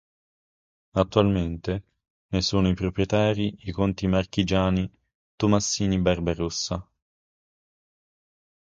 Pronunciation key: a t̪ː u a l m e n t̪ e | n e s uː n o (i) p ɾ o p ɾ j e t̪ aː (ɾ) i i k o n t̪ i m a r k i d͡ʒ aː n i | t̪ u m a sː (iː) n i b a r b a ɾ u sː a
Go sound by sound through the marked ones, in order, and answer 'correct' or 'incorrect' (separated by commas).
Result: correct, correct, correct